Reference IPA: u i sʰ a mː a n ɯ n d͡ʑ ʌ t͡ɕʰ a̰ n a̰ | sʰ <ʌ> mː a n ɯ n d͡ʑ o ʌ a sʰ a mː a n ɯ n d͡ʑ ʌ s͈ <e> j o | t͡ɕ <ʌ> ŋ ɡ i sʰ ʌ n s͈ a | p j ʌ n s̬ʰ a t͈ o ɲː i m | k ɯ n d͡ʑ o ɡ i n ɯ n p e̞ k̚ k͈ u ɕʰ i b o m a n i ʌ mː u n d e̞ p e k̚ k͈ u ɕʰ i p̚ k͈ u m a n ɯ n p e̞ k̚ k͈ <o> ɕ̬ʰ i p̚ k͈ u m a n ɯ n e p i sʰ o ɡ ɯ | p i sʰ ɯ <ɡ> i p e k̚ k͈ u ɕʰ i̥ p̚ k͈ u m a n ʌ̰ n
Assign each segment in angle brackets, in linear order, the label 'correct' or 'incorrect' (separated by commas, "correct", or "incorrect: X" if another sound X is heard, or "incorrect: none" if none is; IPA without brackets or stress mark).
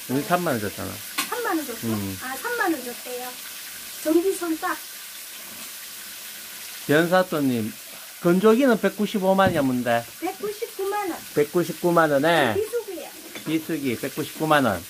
incorrect: a, correct, correct, incorrect: u, correct